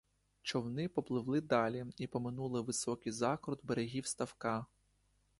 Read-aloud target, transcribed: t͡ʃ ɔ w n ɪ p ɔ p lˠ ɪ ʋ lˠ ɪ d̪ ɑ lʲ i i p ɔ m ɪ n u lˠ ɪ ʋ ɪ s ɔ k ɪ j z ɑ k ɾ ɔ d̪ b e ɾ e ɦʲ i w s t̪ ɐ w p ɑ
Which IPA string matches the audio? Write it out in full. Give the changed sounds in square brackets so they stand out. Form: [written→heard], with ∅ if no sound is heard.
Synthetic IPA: t͡ʃ ɔ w n ɪ p ɔ p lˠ ɪ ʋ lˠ ɪ d̪ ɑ lʲ i i p ɔ m ɪ n u lˠ ɪ ʋ ɪ s ɔ k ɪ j z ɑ k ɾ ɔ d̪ b e ɾ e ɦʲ i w s t̪ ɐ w [p→k] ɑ